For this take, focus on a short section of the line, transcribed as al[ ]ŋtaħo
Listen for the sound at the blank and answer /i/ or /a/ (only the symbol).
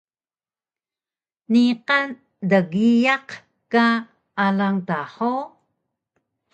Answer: a